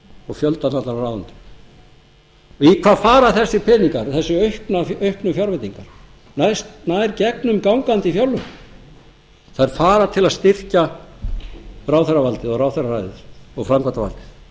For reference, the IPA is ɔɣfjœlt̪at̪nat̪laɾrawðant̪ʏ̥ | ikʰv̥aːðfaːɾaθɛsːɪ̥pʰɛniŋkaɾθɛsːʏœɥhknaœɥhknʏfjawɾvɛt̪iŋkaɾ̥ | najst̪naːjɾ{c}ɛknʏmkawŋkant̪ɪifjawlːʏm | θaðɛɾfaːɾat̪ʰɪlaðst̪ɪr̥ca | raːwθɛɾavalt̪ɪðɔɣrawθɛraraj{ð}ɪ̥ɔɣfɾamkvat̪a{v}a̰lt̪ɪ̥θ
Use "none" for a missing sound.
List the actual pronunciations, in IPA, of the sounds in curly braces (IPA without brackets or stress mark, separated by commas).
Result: c, ð, v